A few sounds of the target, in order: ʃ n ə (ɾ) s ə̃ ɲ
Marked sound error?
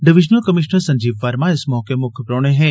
no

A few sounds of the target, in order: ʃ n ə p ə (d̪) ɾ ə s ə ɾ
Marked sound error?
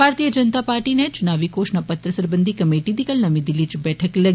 yes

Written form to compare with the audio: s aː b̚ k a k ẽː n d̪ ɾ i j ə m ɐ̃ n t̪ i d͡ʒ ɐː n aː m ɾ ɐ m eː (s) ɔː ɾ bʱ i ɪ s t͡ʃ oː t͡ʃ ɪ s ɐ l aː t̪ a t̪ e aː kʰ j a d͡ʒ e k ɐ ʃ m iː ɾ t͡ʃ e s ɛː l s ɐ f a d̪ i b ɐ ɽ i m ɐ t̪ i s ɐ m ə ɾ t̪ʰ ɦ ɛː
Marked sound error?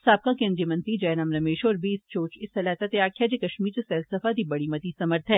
yes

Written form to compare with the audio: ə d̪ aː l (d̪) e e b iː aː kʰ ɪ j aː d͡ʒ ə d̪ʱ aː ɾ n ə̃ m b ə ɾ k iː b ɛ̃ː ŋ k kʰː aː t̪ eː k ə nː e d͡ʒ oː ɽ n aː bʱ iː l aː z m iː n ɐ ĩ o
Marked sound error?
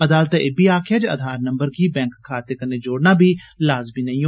yes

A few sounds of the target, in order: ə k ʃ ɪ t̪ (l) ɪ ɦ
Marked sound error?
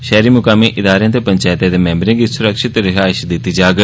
yes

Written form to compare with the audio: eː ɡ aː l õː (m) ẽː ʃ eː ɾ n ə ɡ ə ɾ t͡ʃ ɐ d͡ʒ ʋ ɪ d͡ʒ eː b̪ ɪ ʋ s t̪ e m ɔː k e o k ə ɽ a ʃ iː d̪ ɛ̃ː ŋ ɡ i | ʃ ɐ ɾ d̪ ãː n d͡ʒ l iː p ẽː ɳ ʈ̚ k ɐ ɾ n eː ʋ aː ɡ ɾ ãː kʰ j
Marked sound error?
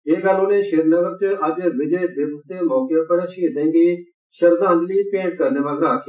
yes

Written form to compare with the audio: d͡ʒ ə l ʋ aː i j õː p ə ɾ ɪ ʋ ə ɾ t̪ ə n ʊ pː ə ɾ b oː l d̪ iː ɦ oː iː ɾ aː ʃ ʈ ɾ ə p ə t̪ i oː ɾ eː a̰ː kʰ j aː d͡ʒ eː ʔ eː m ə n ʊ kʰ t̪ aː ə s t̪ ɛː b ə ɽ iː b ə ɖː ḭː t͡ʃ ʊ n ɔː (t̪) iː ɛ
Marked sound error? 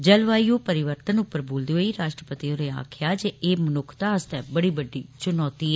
no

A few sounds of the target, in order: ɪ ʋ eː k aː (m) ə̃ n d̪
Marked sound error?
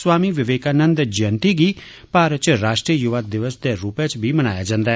yes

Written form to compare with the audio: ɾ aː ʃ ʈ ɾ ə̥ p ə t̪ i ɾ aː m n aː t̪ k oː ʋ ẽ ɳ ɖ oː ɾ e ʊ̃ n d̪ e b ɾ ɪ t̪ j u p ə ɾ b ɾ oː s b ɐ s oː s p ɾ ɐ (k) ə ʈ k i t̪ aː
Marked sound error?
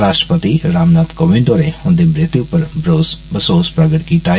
yes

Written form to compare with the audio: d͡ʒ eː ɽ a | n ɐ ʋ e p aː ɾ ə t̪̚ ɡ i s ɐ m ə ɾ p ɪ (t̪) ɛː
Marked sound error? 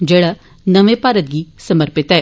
no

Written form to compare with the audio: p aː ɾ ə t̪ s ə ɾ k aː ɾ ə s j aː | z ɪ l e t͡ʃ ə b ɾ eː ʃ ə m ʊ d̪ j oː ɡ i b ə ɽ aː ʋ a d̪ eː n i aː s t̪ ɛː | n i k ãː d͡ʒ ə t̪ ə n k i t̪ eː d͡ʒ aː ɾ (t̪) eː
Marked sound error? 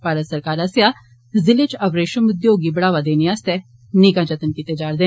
yes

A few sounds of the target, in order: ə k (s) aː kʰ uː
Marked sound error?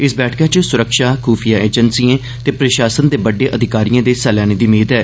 yes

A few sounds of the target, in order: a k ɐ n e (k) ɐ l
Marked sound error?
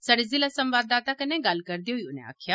yes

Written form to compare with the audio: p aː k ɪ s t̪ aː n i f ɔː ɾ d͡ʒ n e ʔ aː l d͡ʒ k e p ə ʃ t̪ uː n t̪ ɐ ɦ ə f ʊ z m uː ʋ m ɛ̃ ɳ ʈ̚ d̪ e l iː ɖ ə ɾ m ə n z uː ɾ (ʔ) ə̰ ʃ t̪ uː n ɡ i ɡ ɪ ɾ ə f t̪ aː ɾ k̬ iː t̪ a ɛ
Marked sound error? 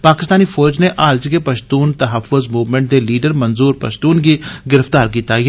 yes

